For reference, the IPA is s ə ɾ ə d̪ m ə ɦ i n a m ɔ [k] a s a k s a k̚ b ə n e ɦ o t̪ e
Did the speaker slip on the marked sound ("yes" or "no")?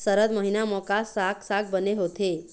no